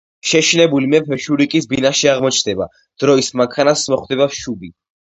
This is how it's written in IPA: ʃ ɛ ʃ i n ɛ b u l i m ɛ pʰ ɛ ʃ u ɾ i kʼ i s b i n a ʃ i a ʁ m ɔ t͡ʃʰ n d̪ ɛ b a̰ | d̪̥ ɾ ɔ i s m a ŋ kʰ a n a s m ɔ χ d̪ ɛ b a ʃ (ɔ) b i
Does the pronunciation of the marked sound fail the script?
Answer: yes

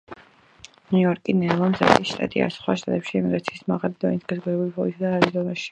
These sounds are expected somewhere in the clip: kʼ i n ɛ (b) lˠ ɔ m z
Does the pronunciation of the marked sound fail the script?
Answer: yes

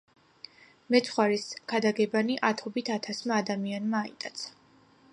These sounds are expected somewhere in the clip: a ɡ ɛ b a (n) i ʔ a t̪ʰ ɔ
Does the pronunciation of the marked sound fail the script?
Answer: no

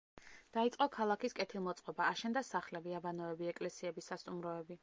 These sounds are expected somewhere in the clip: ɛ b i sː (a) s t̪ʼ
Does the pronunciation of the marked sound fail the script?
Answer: no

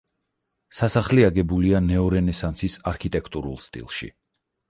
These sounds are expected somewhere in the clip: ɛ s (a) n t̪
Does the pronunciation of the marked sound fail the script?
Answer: no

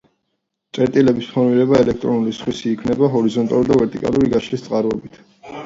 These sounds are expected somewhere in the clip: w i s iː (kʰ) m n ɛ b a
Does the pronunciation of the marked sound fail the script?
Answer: no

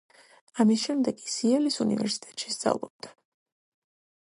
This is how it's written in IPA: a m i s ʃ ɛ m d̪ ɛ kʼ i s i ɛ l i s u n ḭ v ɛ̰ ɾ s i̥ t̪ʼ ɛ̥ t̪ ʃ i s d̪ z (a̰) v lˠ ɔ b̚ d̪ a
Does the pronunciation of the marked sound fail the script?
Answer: no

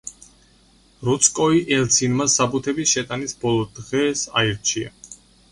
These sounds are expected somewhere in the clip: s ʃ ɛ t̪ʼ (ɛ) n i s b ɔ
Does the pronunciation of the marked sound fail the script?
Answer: yes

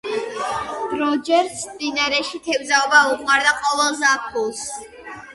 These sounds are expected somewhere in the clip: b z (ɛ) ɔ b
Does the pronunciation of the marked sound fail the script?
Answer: yes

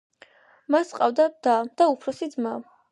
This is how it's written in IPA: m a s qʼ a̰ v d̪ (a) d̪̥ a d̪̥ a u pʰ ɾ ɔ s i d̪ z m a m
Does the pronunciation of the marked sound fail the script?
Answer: no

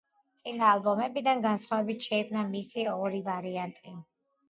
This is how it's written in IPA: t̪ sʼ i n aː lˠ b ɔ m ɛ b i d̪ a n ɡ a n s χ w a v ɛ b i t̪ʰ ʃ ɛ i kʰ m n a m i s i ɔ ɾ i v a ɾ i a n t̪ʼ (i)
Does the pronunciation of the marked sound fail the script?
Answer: no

